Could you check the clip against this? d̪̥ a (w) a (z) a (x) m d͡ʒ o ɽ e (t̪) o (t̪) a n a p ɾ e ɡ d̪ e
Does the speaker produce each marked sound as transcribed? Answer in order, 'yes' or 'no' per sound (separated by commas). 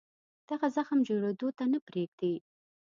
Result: no, yes, yes, no, yes